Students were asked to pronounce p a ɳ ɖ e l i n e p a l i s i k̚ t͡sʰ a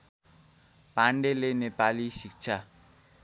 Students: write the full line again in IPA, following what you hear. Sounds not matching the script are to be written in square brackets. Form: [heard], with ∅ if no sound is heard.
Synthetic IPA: p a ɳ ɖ e l [e] n e p a l i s i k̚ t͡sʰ a